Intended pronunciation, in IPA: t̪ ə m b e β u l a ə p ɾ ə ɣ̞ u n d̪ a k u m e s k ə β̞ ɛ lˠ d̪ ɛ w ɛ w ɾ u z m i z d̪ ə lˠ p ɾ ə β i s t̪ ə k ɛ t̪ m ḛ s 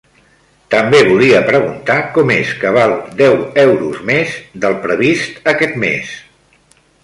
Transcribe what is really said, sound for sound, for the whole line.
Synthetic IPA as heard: t̪ ə m b e β u l i ə p ɾ ə ɣ̞ u n t̪ a k ɔ m e s k ə β̞ a lˠ d̪ ɛ w ɛ w ɾ u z m e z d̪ ə lˠ p ɾ ə β i s t̪ ə k ɛ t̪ m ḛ s